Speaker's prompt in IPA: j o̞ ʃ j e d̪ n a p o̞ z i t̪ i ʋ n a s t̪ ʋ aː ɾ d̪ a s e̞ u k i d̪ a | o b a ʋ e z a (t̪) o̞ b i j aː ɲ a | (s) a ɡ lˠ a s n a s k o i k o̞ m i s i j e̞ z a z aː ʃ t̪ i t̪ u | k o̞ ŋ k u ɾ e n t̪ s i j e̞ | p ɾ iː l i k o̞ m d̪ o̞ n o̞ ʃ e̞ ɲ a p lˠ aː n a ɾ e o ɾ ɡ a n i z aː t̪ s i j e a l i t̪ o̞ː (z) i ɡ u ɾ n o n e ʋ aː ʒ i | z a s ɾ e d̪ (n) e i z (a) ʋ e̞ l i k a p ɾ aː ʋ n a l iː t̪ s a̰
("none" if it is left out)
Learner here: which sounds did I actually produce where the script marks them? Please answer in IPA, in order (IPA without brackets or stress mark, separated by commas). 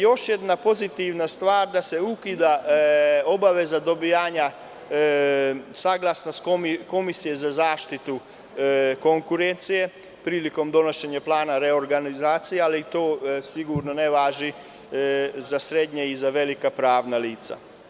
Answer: d̪, s, s, ɲ, a